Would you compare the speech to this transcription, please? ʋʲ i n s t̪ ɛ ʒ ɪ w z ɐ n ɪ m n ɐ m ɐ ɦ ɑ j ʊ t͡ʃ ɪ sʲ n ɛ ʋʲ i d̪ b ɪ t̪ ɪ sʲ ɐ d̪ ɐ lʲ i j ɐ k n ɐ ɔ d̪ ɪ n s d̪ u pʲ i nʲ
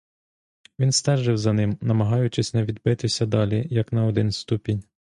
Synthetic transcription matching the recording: ʋʲ i n s t̪ ɛ ʒ ɪ w z ɐ n ɪ m n ɐ m ɐ ɦ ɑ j ʊ t͡ʃ ɪ sʲ n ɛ ʋʲ i d̪ b ɪ t̪ ɪ sʲ ɐ d̪ ɑ lʲ i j ɐ k n ɐ ɔ d̪ ɪ n s t̪ u pʲ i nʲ